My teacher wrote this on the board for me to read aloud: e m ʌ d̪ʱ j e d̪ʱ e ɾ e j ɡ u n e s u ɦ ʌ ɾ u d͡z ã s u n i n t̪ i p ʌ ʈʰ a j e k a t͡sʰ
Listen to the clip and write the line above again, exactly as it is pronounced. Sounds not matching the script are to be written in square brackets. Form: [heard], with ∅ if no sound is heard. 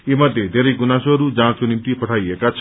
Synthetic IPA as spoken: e m ʌ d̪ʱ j e d̪ʱ e ɾ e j ɡ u n [a] s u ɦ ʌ ɾ u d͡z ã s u n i [m] t̪ i p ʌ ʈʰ a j e k a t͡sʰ